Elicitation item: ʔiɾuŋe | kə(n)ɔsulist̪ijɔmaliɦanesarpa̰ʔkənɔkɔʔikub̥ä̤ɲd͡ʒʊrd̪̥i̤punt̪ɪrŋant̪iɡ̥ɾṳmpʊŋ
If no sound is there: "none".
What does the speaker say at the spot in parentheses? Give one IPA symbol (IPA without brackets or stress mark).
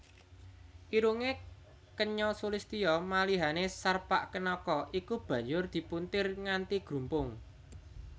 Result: ɲ